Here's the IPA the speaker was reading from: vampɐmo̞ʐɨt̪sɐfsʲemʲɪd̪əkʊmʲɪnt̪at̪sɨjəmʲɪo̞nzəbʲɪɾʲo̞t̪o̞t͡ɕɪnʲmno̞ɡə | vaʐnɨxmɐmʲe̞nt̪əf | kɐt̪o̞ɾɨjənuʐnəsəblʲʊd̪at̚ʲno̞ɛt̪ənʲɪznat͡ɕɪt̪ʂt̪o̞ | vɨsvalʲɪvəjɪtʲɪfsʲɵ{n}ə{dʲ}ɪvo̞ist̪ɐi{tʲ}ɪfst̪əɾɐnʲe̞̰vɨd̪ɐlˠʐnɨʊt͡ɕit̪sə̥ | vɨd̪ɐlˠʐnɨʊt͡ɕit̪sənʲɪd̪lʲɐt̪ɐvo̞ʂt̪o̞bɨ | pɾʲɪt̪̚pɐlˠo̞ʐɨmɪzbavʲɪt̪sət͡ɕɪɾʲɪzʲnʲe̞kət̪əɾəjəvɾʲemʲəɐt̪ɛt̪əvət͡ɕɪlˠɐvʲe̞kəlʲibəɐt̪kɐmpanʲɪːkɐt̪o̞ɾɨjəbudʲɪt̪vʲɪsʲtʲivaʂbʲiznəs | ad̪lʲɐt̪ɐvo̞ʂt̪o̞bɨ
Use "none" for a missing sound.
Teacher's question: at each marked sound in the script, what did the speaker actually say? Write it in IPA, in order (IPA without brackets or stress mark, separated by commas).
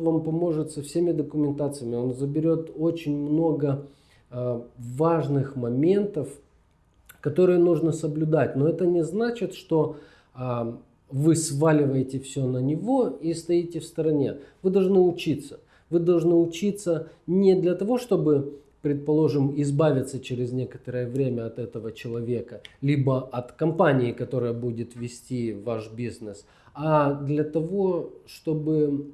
n, nʲ, tʲ